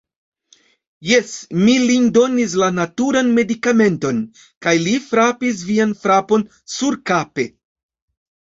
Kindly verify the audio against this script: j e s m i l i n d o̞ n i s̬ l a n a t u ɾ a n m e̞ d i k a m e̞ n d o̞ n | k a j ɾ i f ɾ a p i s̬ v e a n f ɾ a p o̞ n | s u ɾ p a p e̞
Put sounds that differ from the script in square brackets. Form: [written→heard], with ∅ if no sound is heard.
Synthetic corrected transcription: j e s m i l i n d o̞ n i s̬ l a n a t u ɾ a n m e̞ d i k a m e̞ n [d→t] o̞ n | k a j [ɾ→l] i f ɾ a p i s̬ v [e→i] a n f ɾ a p o̞ n | s u ɾ [p→k] a p e̞